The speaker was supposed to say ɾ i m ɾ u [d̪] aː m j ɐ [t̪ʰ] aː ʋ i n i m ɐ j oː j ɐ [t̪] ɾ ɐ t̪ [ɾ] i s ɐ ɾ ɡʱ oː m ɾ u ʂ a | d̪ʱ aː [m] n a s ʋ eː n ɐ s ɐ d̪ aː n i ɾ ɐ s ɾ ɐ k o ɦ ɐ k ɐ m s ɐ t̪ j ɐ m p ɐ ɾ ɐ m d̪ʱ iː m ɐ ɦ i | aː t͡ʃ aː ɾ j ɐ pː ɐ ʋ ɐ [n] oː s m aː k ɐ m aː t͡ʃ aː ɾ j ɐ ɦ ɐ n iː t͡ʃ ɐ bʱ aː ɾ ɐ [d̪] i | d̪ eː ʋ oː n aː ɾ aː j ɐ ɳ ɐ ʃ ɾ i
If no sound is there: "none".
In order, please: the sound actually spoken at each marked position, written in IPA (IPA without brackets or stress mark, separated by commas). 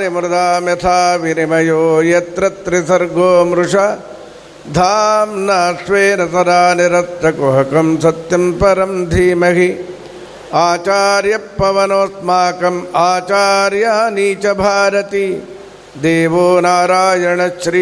d̪, t̪ʰ, t̪, ɾ, m, n, t̪